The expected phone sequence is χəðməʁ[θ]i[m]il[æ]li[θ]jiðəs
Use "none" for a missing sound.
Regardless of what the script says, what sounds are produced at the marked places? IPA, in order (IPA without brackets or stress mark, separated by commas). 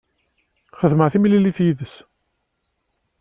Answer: θ, m, i, θ